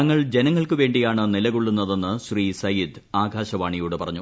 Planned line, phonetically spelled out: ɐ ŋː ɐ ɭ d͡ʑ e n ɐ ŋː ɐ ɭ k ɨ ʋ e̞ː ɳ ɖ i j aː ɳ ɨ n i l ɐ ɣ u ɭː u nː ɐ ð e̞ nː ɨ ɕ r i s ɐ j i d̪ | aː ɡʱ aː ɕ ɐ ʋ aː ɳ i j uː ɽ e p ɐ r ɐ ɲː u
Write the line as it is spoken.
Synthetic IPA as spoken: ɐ ŋː ɐ ɭ d͡ʑ e n ɐ ŋː ɐ ɭ k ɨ ʋ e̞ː ɳ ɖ i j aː ɳ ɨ n i l ɐ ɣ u ɭː u nː ɐ ð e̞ nː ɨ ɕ r iː s ɐ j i d̪ | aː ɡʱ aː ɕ ɐ ʋ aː ɳ i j uː ɽ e p ɐ r ɐ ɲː u